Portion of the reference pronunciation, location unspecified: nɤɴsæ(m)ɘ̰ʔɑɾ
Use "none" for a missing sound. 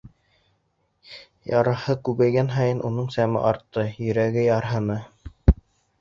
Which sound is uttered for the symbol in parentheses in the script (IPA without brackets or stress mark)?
m